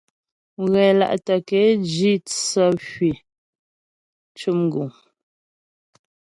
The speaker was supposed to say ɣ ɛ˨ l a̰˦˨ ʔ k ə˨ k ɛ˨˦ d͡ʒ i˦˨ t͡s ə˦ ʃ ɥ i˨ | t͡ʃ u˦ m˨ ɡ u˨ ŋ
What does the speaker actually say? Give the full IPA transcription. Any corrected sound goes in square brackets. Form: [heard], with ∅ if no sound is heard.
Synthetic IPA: ɣ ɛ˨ l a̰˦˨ ʔ [t] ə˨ k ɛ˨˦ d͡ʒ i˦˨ t͡s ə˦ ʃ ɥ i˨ | t͡ʃ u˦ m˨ ɡ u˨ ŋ